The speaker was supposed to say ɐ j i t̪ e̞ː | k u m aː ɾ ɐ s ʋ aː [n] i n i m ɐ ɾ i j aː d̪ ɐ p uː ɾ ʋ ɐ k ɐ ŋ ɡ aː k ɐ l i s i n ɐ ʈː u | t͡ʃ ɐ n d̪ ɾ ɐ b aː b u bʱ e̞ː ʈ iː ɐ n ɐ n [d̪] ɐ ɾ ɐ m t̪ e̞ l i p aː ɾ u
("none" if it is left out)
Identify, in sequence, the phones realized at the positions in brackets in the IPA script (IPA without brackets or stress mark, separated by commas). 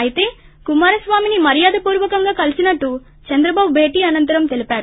m, t̪